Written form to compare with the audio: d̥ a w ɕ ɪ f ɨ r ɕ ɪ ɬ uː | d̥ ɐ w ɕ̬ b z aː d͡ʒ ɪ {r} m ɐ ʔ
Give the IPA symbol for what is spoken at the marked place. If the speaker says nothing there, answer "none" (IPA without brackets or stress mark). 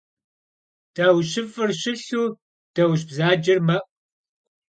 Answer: r